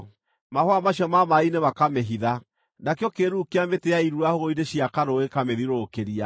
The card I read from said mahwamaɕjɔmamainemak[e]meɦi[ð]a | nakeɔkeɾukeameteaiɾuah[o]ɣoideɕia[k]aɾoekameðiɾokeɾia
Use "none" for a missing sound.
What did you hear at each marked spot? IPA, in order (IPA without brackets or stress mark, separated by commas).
a, ð, o, k